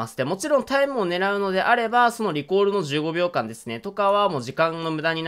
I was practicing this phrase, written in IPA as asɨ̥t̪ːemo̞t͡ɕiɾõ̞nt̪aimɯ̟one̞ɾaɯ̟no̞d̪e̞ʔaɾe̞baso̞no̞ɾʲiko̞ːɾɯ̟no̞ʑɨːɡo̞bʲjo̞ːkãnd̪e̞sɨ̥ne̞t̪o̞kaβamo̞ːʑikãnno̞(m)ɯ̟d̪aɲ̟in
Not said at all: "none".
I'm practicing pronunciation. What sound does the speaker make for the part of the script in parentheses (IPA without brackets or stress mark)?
m